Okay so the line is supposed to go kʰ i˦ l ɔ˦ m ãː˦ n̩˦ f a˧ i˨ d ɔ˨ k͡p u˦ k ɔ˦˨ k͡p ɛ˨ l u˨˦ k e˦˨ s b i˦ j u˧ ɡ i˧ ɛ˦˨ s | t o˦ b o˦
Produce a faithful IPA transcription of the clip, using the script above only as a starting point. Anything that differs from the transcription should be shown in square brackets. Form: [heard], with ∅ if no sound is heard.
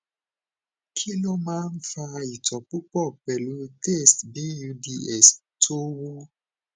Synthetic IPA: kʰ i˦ l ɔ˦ m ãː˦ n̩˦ f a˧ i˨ [t] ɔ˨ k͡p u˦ [k͡p] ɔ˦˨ k͡p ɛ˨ l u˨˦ [t] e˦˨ s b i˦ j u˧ [d] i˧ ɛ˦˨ s | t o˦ [w] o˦